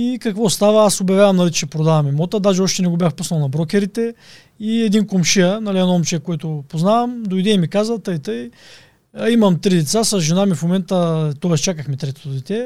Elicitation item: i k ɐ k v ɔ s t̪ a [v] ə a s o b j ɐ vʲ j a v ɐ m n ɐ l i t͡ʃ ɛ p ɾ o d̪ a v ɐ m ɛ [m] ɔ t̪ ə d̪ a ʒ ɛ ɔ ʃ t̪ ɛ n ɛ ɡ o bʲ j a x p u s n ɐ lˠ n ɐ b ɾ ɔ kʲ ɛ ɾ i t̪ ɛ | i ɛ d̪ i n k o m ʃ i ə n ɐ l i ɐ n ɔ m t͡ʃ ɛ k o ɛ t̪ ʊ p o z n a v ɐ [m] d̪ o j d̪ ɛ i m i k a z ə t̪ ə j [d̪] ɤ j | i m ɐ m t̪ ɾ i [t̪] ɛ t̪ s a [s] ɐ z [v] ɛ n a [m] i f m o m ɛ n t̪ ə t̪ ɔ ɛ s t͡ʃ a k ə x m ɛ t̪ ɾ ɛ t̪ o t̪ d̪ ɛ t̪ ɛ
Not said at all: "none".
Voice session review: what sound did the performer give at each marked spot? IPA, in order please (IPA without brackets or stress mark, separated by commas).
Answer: v, m, m, t̪, d̪, s, ʒ, m